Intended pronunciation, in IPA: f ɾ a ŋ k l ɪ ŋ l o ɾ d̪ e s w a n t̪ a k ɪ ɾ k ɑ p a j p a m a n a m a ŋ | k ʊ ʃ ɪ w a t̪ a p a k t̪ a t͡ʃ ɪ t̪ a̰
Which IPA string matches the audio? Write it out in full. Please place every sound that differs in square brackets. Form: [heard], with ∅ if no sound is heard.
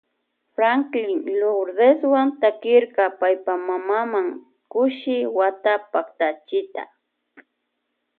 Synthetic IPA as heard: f ɾ a ŋ k l ɪ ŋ l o ɾ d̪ e s w a n t̪ a k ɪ ɾ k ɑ p a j p a m a [m] a m a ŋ | k ʊ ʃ ɪ w a t̪ a p a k t̪ a t͡ʃ ɪ t̪ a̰